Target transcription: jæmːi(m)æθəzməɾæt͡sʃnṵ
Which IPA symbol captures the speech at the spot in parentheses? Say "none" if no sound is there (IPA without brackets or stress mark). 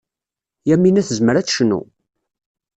n